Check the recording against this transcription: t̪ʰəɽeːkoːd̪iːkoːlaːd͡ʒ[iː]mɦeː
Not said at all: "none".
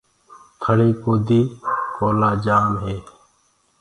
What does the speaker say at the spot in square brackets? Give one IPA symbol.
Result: aː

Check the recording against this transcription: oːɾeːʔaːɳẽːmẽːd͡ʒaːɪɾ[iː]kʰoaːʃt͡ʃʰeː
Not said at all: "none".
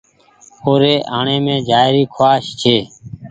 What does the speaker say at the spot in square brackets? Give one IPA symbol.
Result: iː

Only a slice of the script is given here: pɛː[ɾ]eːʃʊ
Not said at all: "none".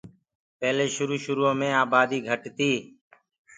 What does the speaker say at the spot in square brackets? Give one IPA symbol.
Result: l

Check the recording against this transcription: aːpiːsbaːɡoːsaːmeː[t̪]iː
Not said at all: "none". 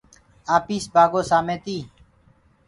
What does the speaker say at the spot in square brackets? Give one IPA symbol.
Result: t̪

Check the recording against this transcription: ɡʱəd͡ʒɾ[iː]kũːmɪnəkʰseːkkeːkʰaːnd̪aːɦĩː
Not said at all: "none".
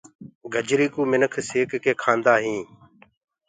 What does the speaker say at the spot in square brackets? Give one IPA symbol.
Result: iː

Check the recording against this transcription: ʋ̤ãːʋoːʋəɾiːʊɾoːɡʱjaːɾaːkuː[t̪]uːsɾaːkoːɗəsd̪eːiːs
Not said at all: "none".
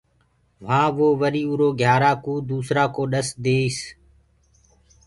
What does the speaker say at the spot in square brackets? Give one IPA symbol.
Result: d̪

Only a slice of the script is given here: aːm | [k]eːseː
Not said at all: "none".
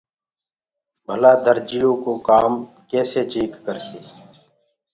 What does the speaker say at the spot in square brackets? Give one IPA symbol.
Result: k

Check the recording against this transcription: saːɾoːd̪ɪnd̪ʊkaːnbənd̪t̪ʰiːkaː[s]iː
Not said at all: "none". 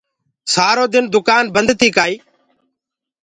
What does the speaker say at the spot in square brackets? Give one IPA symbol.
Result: none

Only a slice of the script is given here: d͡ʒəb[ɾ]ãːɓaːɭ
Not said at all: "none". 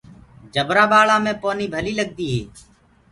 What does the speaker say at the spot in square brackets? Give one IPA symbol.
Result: ɾ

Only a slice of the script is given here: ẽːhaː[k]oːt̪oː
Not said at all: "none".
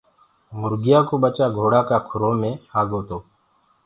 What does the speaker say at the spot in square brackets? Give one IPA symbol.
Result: ɡ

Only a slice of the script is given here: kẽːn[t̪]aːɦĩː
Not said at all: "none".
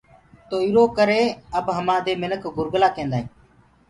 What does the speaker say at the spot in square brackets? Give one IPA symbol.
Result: d̪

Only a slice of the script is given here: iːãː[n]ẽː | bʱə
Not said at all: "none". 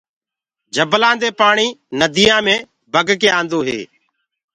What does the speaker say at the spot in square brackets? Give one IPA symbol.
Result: m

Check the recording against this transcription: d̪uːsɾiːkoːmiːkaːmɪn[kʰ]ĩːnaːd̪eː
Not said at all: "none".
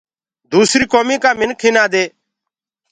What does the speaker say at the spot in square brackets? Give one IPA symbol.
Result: kʰ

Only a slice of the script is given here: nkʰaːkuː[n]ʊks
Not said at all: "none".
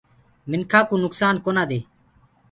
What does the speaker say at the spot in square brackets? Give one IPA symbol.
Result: n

